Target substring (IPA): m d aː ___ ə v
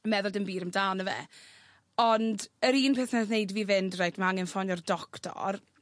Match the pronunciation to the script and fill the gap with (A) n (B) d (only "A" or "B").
A